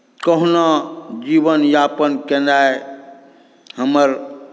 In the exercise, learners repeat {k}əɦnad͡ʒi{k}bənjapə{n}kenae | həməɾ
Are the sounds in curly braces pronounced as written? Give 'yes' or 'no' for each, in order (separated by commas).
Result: yes, no, yes